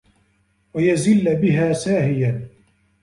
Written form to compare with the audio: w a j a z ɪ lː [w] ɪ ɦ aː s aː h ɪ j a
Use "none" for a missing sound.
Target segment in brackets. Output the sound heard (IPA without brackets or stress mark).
b